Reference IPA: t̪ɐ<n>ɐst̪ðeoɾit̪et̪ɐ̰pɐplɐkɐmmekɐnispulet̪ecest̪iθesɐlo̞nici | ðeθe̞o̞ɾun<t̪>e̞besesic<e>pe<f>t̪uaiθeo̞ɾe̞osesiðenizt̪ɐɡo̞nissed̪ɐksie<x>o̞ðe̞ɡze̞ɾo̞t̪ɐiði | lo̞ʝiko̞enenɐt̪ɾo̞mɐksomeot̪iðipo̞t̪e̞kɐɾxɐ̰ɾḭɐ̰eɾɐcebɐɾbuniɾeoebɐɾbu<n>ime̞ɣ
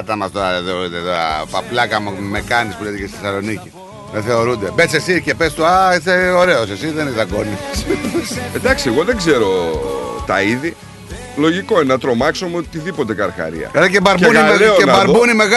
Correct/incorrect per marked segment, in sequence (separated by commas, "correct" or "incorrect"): incorrect, incorrect, correct, incorrect, incorrect, correct